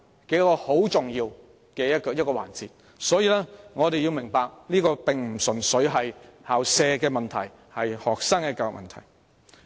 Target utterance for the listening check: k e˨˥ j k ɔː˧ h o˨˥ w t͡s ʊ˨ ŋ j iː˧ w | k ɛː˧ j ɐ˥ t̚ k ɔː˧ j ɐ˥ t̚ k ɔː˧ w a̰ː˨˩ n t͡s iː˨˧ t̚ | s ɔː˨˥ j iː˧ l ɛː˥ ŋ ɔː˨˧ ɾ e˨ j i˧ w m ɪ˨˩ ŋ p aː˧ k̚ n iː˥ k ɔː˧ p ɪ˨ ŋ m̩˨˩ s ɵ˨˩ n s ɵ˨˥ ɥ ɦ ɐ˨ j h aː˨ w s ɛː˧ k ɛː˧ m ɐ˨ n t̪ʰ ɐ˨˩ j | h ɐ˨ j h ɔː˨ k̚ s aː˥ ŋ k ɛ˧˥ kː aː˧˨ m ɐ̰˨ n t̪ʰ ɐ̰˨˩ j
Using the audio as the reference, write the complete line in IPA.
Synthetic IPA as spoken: k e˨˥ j k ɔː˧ h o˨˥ w t͡s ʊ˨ ŋ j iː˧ w | k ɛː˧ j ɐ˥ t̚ k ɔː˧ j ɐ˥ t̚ k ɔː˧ w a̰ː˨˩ n t͡s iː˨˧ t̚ | s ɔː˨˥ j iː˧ l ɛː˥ ŋ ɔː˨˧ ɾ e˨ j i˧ w m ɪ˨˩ ŋ p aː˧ k̚ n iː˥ k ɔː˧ p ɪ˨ ŋ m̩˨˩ s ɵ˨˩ n s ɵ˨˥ ɥ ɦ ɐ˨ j h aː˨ w s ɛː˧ k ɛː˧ m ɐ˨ n t̪ʰ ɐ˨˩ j | h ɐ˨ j h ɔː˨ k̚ s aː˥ ŋ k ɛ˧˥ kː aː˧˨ m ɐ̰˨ n t̪ʰ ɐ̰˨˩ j